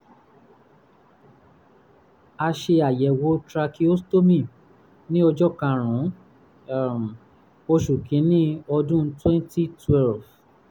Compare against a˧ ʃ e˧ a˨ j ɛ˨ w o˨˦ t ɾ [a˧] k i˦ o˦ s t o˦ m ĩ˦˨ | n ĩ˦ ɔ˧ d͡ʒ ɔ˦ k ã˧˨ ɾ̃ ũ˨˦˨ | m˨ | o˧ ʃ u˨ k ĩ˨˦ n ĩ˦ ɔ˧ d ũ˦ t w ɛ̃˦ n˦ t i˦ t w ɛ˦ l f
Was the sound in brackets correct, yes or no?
yes